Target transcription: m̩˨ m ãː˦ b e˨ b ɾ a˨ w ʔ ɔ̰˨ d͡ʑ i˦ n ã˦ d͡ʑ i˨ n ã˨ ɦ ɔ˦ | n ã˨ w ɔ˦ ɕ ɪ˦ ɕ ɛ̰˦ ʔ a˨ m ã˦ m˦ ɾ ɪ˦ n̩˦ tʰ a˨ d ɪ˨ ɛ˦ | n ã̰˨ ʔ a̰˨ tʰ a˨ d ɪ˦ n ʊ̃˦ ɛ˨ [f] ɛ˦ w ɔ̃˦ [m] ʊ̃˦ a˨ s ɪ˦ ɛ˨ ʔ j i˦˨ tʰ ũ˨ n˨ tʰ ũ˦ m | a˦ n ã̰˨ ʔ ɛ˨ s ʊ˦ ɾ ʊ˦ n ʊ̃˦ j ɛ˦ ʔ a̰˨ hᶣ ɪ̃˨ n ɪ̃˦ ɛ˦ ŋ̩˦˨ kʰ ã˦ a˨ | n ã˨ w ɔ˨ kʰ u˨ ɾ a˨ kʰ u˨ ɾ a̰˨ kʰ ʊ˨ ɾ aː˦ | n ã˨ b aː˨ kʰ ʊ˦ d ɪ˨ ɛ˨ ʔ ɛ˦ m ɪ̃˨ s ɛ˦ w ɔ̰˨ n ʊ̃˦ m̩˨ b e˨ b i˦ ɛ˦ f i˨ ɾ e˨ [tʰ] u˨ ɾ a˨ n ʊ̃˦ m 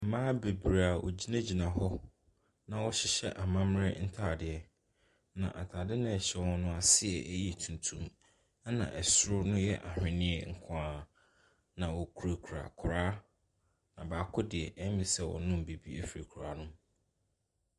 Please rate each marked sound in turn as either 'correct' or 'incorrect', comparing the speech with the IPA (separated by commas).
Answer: incorrect, incorrect, incorrect